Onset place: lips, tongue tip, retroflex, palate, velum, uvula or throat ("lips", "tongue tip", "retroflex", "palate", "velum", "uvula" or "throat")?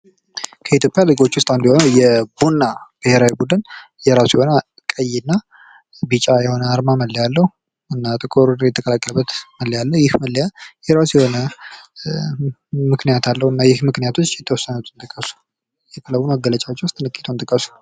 velum